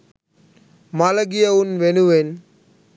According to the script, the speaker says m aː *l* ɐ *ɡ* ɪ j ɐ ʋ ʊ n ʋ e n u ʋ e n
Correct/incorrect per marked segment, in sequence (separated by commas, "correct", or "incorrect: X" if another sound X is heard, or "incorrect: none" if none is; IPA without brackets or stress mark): correct, correct